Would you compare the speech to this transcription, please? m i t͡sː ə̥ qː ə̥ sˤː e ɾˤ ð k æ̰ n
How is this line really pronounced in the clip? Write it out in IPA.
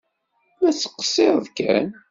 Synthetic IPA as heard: m æ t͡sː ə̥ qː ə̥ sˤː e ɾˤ ð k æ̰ n

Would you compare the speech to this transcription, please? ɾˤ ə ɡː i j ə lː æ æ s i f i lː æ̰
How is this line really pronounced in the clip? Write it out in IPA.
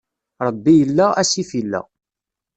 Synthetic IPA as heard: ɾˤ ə bː i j ə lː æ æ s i f i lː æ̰

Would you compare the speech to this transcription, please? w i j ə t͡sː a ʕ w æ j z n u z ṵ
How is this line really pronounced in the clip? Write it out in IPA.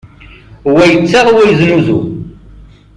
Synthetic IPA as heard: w æ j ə t͡sː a ʁ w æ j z n u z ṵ

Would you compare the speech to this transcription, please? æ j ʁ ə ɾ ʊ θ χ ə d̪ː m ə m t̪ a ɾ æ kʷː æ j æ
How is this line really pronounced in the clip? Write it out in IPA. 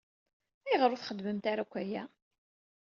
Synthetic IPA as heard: æ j ʁ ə ɾ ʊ θ χ ə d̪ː m ə m t̪ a ɾ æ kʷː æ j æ

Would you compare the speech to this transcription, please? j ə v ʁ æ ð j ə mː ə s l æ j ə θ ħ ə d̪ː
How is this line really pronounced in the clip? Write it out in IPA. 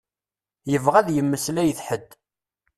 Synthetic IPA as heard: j ə v ʁ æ ð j ə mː ə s l æ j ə θ ħ ə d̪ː

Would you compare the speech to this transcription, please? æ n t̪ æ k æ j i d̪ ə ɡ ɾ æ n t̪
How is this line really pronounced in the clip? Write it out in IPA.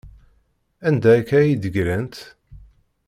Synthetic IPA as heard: æ n d̪ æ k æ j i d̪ ə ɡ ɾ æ n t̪

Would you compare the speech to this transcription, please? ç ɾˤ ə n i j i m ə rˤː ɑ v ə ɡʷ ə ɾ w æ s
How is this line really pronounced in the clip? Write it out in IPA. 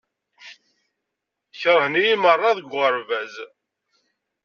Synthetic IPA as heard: ç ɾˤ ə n i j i m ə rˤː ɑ ð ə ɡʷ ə ɾ v æ z

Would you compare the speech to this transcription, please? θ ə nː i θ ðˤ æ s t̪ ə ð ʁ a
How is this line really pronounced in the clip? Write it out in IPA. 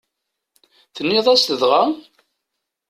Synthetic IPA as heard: θ ə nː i ðˤ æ s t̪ ə ð ʁ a

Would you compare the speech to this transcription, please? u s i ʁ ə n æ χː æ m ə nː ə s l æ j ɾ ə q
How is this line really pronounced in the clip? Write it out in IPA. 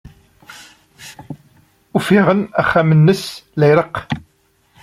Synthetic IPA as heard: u f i ʁ ə n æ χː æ m ə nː ə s l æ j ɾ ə q

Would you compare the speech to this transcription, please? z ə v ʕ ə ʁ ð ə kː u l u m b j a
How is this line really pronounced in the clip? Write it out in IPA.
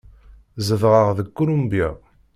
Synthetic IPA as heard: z ə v ʁ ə ʁ ð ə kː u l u m b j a

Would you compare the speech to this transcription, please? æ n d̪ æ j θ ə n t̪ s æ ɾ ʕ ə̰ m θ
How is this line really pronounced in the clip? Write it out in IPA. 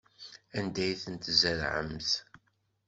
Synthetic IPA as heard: æ n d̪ æ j θ ə n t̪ z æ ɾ ʕ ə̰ m θ

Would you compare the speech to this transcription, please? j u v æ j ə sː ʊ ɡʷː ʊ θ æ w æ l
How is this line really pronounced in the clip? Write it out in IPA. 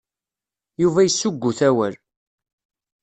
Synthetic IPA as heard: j u v æ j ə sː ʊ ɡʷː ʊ θ æ w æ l

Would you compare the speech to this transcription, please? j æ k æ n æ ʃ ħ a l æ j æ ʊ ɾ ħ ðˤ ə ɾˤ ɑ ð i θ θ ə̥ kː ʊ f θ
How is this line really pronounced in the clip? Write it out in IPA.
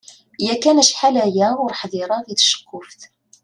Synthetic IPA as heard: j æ k æ n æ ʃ ħ a l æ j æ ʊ ɾ ħ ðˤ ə ɾˤ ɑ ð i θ ʃ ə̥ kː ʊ f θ

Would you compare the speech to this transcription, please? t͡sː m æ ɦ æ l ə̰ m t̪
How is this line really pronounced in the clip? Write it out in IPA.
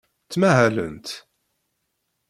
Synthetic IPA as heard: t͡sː m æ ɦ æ l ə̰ n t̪

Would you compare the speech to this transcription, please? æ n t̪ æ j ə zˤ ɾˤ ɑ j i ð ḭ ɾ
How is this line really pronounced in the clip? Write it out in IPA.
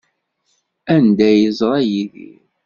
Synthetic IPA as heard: æ n d̪ æ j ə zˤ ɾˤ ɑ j i ð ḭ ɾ

